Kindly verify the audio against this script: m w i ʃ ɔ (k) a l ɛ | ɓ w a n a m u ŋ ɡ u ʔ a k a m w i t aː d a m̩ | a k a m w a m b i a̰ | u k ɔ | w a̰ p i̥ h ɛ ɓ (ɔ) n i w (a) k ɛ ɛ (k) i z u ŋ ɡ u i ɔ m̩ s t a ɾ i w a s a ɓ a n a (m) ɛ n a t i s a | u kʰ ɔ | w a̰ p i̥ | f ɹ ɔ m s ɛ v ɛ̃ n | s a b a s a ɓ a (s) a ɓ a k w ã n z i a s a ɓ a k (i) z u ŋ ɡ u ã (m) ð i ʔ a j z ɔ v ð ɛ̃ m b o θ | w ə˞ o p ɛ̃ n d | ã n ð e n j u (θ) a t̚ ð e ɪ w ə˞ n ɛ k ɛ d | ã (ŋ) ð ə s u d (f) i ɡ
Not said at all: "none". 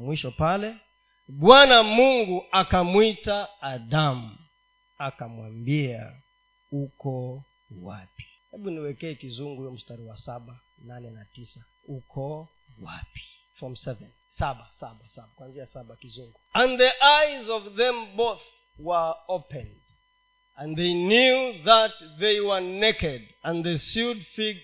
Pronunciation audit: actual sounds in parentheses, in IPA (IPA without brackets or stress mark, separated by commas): p, u, ɛ, k, n, s, i, n, ð, n, f